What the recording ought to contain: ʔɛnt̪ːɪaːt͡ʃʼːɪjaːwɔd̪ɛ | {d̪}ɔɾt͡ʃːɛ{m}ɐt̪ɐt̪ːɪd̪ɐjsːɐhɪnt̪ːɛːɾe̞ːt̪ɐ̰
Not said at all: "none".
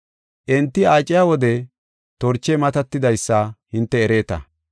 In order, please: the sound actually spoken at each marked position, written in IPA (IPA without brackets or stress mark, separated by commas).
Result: t̪, m